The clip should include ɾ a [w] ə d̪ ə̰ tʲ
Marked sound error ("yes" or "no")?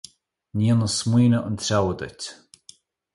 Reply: no